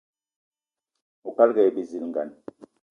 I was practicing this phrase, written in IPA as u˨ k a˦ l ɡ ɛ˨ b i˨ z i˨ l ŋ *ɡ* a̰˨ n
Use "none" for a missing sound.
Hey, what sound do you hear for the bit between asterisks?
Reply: ɡ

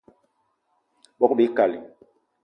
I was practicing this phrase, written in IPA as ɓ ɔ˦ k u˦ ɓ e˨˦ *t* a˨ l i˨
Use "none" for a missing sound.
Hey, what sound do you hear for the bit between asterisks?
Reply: k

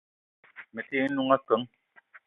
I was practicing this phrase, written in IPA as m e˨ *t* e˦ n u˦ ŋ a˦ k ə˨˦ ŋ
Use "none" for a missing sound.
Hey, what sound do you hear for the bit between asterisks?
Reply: t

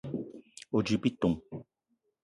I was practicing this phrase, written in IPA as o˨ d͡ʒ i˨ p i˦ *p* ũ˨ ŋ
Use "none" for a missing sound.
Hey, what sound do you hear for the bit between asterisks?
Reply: t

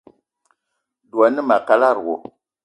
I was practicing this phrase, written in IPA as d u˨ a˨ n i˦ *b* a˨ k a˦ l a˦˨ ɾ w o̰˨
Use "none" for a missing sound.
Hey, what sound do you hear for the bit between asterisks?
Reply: m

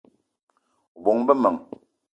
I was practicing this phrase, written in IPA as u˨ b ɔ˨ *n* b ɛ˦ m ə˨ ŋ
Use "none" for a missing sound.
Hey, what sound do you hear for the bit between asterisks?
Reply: ŋ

